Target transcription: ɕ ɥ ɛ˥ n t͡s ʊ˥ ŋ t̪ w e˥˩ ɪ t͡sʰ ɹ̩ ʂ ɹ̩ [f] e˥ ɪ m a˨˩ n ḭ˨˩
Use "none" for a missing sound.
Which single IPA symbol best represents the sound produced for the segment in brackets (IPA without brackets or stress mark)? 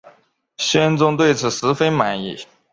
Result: f